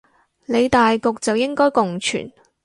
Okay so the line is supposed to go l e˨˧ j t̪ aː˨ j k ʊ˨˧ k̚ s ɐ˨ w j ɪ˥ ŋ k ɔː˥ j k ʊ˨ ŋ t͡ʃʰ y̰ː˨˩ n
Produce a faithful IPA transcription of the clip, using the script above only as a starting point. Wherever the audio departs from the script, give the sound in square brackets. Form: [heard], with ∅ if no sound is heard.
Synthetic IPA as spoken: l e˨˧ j t̪ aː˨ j k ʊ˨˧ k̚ [t͡s] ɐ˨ w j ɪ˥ ŋ k ɔː˥ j k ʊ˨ ŋ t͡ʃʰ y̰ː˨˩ n